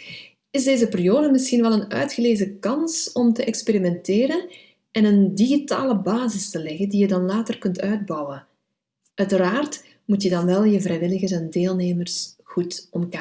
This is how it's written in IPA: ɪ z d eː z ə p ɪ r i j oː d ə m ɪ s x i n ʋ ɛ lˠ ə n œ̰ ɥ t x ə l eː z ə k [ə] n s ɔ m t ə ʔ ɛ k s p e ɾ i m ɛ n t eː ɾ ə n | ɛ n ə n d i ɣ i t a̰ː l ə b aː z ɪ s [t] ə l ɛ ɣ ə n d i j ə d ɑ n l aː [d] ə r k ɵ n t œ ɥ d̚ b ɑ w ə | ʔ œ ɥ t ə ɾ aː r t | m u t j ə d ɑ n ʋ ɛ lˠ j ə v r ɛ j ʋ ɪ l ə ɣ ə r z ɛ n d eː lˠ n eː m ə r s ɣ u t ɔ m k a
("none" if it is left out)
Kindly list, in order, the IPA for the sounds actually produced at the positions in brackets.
ɑ, t, t

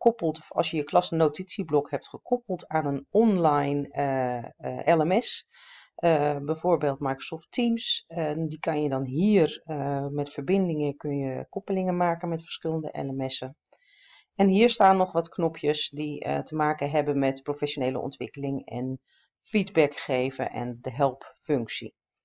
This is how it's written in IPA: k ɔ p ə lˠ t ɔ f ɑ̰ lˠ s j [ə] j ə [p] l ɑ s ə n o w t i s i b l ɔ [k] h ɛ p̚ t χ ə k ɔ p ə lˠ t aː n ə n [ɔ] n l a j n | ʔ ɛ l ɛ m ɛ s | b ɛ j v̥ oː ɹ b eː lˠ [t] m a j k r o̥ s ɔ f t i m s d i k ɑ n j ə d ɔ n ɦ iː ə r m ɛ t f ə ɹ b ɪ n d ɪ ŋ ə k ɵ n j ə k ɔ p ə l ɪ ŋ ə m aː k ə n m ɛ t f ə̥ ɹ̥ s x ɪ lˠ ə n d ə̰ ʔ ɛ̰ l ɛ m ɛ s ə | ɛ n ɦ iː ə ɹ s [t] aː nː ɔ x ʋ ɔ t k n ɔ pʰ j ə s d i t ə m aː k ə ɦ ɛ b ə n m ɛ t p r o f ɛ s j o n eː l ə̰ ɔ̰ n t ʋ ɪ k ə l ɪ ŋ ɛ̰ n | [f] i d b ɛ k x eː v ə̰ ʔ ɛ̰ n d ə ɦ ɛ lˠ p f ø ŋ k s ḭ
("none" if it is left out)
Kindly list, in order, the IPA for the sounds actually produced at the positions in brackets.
ə, k, k, ɔ, t, t, f

